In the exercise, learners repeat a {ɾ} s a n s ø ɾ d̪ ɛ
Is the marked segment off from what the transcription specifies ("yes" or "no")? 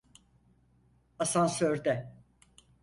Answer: yes